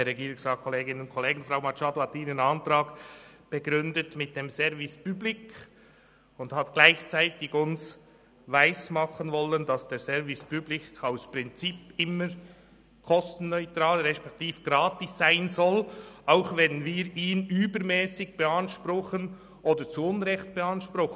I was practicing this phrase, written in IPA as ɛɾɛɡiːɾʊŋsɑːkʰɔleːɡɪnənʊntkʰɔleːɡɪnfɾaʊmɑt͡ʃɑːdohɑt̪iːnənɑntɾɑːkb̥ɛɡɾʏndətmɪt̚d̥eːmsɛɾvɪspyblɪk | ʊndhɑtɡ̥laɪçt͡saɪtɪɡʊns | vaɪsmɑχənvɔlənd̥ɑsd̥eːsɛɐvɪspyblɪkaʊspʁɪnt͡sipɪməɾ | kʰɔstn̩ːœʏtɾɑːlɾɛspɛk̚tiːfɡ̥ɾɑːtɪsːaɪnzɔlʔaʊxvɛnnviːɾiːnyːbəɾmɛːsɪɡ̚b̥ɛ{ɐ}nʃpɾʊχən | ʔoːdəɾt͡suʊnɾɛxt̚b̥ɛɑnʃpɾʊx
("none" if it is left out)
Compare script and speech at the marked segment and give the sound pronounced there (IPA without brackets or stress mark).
ɑ